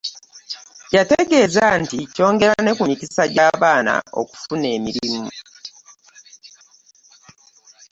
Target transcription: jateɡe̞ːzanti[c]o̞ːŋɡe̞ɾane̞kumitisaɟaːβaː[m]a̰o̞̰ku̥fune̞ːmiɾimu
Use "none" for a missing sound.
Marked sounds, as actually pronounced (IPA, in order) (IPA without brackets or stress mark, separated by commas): c, n